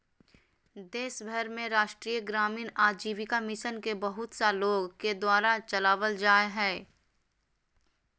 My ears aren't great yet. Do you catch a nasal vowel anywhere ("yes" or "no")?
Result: yes